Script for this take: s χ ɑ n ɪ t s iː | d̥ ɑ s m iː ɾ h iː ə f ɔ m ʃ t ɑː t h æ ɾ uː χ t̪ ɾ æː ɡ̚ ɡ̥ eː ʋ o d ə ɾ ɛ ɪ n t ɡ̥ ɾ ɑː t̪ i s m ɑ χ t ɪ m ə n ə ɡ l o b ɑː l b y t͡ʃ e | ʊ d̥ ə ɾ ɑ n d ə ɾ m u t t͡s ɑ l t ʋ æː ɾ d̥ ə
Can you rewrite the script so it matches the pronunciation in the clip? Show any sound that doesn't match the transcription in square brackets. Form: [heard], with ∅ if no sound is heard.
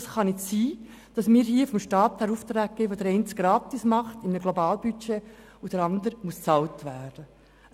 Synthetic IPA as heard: s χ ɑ n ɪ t s iː | d̥ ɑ s m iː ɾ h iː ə f ɔ m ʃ t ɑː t h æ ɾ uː [f] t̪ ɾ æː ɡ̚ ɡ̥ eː ʋ o d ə ɾ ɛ ɪ n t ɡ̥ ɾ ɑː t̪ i s m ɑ χ t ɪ m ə n ə ɡ l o b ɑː l b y t͡ʃ e | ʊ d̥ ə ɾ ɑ n d ə ɾ m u [s] t͡s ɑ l t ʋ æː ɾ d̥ ə